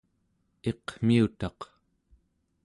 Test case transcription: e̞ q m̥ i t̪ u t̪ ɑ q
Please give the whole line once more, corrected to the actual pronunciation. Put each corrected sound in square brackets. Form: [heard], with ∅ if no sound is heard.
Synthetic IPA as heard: e̞ q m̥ i [∅] u t̪ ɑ q